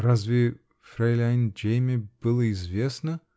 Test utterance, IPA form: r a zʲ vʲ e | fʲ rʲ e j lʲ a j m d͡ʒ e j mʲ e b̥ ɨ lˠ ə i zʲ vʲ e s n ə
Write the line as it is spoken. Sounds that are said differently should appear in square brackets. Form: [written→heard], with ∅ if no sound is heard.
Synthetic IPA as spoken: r a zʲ vʲ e | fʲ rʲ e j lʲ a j [m→n] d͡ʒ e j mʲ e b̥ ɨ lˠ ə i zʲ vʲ e s n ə